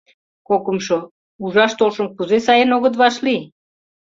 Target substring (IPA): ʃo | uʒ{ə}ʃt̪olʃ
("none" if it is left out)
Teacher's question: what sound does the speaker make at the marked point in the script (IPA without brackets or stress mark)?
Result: ɑ